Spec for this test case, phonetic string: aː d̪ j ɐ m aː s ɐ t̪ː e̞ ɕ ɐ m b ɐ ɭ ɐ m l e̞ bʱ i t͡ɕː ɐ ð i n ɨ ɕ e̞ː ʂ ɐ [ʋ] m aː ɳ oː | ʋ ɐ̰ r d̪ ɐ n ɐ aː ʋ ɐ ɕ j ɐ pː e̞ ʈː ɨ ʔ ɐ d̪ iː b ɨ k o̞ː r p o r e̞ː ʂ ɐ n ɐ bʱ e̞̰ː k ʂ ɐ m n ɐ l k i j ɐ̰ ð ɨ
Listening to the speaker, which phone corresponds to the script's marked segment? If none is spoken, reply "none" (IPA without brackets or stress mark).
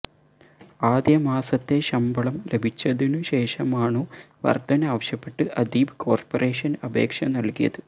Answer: none